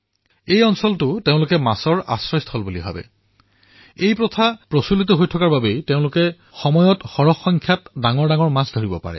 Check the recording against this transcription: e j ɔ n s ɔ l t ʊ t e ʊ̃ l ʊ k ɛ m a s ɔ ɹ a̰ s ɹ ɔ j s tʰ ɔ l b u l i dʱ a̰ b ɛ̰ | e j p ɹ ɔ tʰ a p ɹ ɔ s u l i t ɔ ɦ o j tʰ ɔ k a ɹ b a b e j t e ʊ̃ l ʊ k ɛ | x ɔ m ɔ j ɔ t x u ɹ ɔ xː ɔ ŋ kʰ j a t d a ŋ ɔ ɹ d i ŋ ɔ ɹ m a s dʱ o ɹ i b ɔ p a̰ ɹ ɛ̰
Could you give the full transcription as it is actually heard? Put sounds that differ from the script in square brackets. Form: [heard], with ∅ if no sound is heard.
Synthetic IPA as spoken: e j ɔ n s ɔ l t ʊ t e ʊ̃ l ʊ k ɛ m a s ɔ ɹ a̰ s ɹ ɔ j s tʰ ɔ l b u l i [bʱ] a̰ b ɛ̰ | e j p ɹ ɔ tʰ a p ɹ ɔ s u l i t ɔ ɦ o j tʰ ɔ k a ɹ b a b e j t e ʊ̃ l ʊ k ɛ | x ɔ m ɔ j ɔ t x [ɔ] ɹ ɔ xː ɔ ŋ kʰ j a t d a ŋ ɔ ɹ d [a] ŋ ɔ ɹ m a s dʱ o ɹ i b ɔ p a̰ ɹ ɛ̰